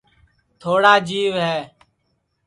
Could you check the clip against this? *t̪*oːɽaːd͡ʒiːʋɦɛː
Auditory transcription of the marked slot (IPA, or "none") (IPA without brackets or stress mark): t̪ʰ